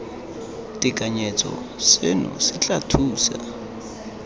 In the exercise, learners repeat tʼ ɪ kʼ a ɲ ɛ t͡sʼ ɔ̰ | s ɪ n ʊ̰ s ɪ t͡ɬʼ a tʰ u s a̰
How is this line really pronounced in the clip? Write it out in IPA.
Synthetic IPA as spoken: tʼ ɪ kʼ a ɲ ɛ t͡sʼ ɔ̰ | s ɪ n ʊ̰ s ɪ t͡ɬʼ a tʰ uː s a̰